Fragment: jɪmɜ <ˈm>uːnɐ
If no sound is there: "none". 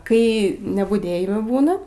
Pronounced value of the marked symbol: b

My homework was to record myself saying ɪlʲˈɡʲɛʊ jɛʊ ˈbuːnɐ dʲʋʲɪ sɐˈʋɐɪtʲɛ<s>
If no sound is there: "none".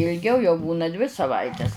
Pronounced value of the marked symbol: s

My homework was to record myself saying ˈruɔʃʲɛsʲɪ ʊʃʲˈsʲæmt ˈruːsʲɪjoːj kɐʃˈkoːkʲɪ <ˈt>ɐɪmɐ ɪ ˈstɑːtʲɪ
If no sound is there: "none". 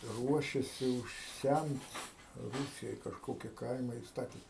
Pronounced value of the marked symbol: k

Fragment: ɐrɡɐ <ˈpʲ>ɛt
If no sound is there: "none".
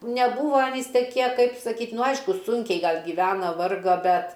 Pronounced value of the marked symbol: bʲ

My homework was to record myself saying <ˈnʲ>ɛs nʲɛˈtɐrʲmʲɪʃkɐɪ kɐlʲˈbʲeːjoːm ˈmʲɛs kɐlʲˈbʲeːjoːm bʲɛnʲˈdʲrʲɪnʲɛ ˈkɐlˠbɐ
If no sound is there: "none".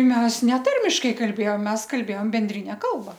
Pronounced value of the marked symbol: mʲ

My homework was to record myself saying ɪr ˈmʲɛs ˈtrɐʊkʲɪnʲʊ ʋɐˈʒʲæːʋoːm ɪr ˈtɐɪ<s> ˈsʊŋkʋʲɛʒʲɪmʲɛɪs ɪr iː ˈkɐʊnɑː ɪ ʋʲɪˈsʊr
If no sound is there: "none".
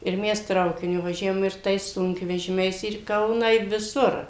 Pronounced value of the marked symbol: s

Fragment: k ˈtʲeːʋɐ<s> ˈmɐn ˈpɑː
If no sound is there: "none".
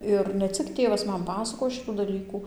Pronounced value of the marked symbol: s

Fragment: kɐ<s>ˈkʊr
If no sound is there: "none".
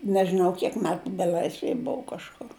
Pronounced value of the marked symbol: ʃ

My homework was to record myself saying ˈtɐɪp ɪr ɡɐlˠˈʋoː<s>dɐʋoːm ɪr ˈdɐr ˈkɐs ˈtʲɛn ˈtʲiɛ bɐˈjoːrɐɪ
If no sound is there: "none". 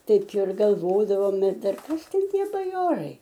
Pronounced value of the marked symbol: none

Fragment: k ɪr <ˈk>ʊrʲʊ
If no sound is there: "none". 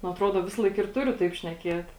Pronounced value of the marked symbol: t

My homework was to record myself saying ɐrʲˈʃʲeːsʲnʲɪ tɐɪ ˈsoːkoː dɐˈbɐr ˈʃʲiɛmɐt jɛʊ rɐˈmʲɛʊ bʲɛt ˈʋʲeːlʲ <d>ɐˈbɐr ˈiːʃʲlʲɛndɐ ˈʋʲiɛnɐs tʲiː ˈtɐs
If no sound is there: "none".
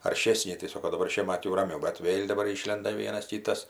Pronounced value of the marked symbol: d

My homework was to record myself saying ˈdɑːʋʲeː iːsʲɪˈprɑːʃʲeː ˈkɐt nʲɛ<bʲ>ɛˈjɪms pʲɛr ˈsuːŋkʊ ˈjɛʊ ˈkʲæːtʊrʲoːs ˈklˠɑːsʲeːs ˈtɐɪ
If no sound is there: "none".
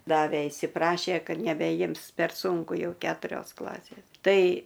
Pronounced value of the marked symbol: bʲ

